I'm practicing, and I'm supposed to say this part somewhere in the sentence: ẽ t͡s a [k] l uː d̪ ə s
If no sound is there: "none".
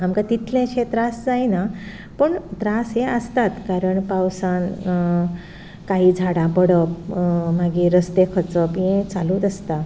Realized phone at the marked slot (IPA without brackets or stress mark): none